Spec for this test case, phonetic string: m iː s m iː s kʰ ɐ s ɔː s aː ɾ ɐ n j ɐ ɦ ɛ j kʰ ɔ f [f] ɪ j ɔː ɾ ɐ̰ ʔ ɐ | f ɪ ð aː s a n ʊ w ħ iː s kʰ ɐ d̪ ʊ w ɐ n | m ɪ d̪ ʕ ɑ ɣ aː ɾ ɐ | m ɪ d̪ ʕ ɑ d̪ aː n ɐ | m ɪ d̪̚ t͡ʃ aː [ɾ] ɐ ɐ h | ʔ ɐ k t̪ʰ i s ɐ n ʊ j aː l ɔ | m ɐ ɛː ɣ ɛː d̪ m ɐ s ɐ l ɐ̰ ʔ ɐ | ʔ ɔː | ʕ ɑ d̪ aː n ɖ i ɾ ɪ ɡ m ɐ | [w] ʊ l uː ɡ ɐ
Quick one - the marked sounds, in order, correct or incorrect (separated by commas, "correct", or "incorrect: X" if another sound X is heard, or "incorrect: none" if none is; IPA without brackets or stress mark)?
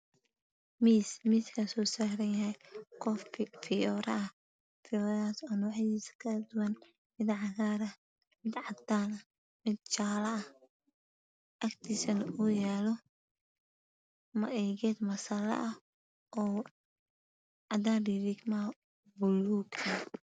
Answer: correct, incorrect: l, incorrect: b